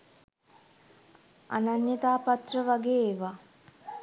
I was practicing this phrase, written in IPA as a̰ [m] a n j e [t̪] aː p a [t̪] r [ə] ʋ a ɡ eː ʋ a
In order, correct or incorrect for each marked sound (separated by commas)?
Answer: incorrect, correct, correct, correct